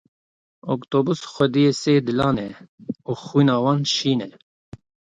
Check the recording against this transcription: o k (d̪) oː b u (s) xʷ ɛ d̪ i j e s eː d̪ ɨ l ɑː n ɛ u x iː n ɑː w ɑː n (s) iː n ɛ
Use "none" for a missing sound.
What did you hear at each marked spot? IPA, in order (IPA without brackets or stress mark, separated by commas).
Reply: t̪, s, ʃ